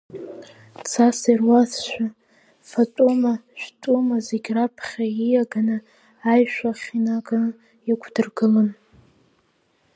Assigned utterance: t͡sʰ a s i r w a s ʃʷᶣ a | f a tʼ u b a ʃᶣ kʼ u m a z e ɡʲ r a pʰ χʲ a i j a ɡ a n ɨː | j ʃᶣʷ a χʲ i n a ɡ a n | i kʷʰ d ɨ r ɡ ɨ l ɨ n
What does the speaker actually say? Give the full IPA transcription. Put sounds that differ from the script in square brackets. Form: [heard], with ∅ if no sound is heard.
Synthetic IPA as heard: t͡sʰ a s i r w a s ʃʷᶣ a | f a tʼ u [m] a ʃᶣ [tʼ] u m a z e ɡʲ r a pʰ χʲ a i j a ɡ a n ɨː | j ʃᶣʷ a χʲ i n a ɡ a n | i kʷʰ d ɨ r ɡ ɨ l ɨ n

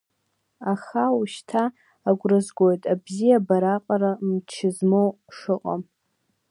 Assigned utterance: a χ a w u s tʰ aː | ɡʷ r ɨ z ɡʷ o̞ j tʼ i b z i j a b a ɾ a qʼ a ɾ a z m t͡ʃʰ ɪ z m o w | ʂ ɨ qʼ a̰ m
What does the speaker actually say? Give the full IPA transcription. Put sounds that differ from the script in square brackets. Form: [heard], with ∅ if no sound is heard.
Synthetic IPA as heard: a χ a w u [ʃ] tʰ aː | ɡʷ r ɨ z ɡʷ o̞ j tʼ [a] b z i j a b a ɾ a qʼ a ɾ a [∅] m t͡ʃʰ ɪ z m o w | ʂ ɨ qʼ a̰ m

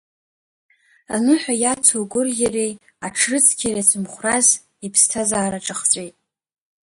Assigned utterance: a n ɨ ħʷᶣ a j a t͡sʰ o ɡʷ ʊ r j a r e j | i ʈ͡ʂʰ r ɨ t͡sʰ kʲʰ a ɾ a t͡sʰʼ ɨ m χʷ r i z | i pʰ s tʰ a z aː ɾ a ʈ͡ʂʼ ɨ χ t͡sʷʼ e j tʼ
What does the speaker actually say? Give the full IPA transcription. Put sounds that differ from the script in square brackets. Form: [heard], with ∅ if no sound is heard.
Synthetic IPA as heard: a n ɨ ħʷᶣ a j a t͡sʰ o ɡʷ ʊ r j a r e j | [a] ʈ͡ʂʰ r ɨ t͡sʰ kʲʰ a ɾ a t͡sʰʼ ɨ m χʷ r [a] z | i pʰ s tʰ a z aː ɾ a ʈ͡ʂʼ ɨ χ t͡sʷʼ e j tʼ

